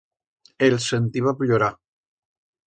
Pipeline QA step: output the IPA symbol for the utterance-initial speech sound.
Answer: e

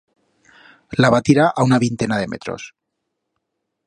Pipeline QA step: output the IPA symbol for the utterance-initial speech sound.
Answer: l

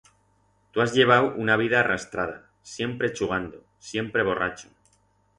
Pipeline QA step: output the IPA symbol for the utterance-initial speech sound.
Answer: t̪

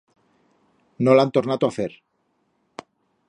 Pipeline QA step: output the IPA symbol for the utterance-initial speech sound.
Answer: n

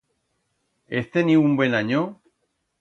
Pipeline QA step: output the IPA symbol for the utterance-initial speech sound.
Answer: e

